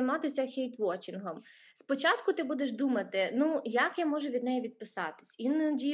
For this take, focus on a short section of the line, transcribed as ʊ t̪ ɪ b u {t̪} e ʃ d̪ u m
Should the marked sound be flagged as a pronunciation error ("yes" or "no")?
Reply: yes